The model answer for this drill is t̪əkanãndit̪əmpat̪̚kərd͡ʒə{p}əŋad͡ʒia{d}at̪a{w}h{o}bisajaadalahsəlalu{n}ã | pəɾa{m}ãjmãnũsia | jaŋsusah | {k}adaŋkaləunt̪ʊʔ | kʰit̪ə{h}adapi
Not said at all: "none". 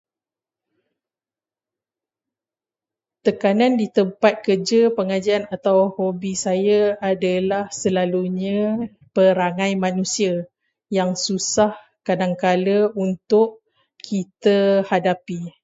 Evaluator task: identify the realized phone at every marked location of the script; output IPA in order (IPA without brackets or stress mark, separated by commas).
p, n, w, o, ɲ, ŋ, k, h